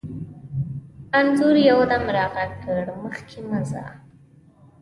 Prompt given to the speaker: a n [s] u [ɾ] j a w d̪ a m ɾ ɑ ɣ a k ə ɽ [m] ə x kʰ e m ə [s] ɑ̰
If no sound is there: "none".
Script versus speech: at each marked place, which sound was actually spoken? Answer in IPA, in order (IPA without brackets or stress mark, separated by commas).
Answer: z, ɾ, m, z